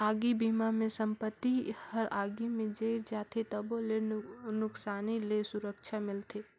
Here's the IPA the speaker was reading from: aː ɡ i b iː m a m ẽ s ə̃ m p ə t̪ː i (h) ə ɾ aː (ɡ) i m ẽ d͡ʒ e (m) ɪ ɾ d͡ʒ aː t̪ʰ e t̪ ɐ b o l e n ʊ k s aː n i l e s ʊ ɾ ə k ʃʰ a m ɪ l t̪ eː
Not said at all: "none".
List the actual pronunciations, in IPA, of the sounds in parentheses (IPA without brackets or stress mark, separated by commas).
h, ɡ, none